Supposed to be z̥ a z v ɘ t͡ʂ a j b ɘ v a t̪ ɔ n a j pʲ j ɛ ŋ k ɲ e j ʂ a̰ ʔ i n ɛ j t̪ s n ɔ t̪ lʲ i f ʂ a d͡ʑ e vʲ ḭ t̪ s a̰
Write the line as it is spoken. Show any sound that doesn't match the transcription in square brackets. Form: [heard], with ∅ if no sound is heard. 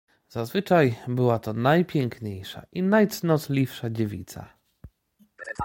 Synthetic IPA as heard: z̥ a z v ɘ t͡ʂ a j b ɘ [w] a t̪ ɔ n a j pʲ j ɛ ŋ k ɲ e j ʂ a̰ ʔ i n [a] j t̪ s n ɔ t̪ lʲ i f ʂ a d͡ʑ e vʲ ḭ t̪ s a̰